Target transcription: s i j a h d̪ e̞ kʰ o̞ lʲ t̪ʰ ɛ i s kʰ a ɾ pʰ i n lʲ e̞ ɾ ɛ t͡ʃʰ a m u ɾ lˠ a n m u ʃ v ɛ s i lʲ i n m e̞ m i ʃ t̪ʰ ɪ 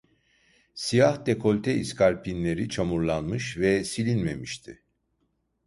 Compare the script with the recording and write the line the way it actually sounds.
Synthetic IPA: s i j a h d̪ e̞ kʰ o̞ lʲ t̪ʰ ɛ i s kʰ a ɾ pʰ i n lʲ e̞ ɾ i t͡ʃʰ a m u ɾ lˠ a n m ɯ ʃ v ɛ s i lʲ i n m e̞ m i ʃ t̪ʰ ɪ

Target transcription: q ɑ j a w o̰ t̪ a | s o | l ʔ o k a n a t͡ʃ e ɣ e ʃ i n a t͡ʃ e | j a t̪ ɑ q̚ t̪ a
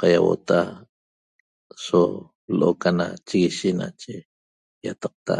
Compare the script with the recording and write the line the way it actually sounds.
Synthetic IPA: q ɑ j a w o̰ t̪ a | s o | l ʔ o k a n a t͡ʃ i ɣ i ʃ i n a t͡ʃ e | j a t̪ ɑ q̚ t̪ a

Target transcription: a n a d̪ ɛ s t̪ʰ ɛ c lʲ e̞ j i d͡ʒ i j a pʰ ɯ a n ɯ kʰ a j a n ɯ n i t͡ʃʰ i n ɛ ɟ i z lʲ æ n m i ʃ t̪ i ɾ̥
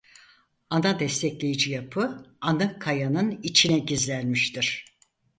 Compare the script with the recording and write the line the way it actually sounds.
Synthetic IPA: a n a d̪ ɛ s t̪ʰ ɛ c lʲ e̞ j i d͡ʒ i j a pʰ ɯ a n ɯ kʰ a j a n ɯ n i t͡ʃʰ i n ɛ ɟ i z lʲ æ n m i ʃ t̪ i ɾ̥

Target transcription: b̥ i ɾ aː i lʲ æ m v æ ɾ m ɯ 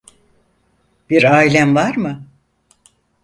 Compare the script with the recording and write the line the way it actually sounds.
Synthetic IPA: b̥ i ɾ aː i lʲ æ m v a ɾ m ɯ

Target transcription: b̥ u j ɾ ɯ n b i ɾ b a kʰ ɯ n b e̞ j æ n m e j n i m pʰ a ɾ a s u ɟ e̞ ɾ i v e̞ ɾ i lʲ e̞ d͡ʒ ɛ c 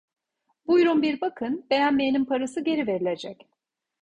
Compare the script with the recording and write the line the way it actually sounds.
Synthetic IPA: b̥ u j ɾ u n b i ɾ b a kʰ ɯ n b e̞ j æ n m e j n i m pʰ a ɾ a s ɯ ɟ e̞ ɾ i v e̞ ɾ i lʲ e̞ d͡ʒ ɛ c

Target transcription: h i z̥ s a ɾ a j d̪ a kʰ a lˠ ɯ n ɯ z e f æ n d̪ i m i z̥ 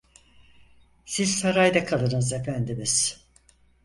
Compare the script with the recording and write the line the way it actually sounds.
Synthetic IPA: s i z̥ s a ɾ a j d̪ a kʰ a lˠ ɯ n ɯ z e f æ n d̪ i m i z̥

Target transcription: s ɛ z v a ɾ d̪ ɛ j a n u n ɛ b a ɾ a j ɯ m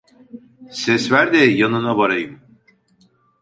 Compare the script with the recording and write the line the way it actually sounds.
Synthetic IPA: s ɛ s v æ ɾ d̪ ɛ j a n ɯ n a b a ɾ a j ɯ m

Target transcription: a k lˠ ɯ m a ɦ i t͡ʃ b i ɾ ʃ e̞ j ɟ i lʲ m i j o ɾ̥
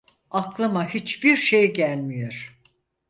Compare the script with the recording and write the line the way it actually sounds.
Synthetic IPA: a k lˠ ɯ m a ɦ i t͡ʃ b i ɾ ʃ e̞ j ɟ æ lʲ m i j o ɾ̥

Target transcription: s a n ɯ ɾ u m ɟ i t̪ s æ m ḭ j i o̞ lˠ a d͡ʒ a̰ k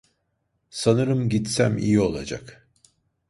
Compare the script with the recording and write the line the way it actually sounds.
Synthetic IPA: s a n ɯ ɾ ɯ m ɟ i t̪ s æ m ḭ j i o̞ lˠ a d͡ʒ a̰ k

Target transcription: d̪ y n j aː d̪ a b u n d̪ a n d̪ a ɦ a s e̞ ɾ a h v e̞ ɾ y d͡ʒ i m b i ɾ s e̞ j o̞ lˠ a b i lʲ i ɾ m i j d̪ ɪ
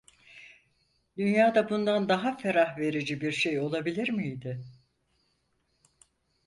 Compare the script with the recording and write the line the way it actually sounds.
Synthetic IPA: d̪ y n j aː d̪ a b u n d̪ a n d̪ a ɦ a f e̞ ɾ a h v e̞ ɾ i d͡ʒ i b i ɾ ʃ e̞ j o̞ lˠ a b i lʲ i ɾ m i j d̪ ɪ

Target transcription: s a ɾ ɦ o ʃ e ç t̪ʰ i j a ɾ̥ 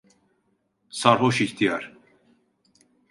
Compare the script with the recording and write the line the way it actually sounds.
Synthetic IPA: s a ɾ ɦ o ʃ i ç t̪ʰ i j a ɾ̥

